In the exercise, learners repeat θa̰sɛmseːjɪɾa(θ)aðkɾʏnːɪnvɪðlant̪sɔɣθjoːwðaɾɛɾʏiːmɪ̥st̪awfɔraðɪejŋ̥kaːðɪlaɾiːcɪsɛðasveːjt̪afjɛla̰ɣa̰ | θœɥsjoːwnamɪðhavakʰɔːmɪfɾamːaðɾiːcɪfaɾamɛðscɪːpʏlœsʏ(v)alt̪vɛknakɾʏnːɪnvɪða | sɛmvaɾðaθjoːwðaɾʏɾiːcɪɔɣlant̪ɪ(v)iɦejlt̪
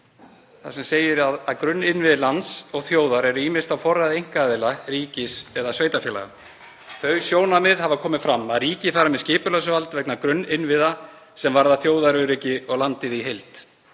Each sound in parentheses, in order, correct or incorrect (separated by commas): incorrect, correct, incorrect